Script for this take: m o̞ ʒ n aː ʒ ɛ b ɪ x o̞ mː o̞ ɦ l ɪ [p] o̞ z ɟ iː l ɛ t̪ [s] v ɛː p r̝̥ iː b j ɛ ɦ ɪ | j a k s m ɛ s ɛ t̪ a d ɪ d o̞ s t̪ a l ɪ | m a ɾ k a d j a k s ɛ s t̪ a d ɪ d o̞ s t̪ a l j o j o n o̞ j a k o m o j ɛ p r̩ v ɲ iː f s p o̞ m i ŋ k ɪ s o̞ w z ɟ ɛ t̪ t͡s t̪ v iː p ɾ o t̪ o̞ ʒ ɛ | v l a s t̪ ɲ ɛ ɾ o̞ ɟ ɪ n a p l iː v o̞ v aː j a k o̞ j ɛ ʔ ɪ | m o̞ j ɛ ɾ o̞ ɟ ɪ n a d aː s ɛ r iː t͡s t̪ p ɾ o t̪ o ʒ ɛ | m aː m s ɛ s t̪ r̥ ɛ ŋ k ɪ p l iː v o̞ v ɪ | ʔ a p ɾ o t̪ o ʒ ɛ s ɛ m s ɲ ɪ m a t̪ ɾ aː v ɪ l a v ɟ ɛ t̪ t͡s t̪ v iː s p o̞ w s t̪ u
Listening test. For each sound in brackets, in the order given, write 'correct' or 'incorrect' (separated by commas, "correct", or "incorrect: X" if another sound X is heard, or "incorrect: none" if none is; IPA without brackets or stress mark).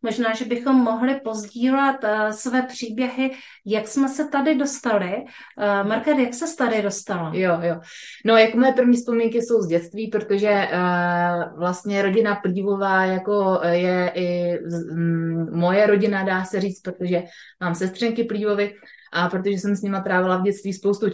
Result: correct, correct